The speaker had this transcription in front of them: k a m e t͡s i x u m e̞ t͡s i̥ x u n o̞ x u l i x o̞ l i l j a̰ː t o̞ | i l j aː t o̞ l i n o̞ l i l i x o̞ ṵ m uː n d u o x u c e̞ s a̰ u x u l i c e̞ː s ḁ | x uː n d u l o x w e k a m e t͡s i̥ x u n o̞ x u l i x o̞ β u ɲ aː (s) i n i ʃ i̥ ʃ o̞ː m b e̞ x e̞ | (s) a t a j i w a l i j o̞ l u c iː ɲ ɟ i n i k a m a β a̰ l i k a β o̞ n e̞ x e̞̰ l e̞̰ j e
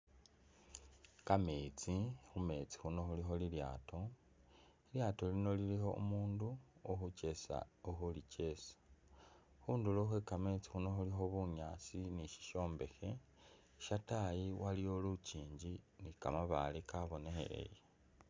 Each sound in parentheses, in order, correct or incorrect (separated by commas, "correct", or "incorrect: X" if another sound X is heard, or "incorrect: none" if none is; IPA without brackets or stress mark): incorrect: t͡s, incorrect: ʃ